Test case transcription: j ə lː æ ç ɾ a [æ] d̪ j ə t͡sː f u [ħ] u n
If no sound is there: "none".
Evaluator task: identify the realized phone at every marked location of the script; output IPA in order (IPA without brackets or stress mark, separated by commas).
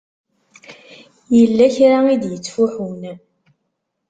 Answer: i, ħ